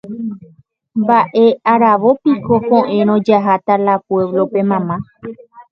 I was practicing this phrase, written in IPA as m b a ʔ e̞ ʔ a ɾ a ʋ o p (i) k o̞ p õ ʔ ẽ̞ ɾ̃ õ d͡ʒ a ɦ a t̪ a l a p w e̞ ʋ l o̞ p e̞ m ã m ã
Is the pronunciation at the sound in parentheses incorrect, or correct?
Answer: correct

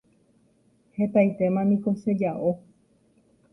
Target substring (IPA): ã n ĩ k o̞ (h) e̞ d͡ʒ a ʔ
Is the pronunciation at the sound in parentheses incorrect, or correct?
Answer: incorrect: ʃ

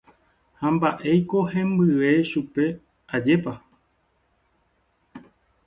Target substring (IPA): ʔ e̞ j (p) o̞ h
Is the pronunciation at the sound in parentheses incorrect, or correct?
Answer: incorrect: k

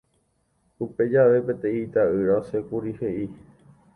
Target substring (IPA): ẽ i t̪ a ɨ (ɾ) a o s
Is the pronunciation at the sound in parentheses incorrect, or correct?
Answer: correct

